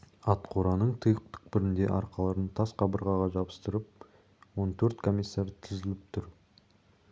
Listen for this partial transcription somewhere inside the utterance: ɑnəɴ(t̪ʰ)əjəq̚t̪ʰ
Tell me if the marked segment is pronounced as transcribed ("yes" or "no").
yes